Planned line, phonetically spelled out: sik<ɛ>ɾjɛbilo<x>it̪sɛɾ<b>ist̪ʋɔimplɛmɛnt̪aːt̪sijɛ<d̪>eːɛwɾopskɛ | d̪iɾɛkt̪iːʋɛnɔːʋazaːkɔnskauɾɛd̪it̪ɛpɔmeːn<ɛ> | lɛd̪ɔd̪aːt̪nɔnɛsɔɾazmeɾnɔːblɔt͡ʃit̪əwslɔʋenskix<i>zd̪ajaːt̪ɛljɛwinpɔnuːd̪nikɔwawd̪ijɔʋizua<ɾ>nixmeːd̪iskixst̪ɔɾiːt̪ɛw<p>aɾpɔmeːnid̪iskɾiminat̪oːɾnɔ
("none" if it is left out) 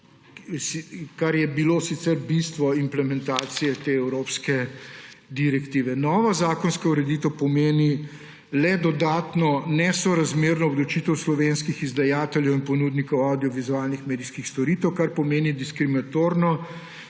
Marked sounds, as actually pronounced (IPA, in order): a, s, b, t̪, i, i, l, k

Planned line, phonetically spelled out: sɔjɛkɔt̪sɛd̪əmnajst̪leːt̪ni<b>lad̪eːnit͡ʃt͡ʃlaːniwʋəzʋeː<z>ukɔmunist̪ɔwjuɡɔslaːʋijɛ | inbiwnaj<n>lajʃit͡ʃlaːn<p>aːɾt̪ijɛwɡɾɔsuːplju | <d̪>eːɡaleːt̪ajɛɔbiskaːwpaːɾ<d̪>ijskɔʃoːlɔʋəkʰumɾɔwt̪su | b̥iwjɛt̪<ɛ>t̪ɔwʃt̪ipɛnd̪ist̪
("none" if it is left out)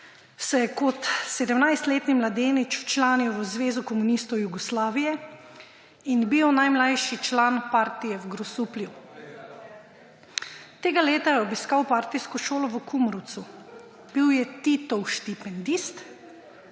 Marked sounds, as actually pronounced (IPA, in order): m, z, m, p, t̪, t̪, i

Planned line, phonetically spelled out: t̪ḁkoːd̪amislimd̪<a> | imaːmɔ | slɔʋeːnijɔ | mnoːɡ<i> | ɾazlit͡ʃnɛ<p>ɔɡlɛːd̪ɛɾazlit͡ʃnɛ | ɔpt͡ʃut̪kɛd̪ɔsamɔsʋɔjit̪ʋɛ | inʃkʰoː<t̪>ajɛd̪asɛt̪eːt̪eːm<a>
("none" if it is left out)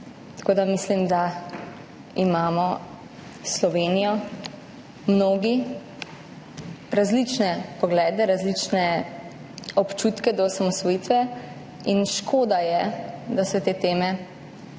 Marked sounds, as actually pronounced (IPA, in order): a, i, p, d̪, ɛ

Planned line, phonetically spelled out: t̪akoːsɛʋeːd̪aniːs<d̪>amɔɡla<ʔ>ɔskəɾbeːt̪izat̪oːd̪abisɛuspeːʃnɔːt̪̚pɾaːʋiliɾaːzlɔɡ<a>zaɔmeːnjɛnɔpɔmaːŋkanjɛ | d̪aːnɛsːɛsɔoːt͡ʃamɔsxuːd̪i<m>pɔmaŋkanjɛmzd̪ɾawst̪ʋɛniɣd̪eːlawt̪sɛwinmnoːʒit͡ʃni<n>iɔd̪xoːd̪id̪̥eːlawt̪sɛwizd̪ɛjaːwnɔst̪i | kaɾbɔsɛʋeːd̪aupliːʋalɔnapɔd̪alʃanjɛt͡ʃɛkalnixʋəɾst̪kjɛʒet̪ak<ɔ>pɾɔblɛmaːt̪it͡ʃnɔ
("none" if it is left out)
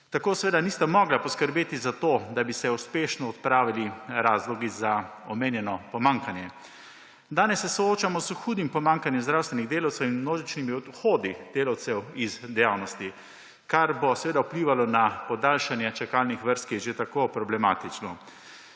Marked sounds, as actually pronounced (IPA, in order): t̪, p, i, m, m, o

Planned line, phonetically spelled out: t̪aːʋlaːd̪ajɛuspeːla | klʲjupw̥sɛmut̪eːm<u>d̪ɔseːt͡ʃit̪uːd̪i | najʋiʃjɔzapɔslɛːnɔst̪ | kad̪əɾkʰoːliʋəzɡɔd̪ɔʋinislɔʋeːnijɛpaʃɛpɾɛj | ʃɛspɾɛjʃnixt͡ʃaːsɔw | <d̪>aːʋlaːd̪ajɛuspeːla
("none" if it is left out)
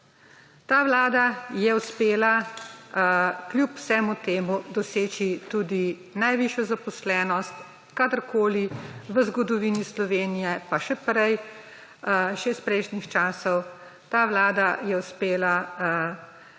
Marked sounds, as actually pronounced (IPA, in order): u, t̪

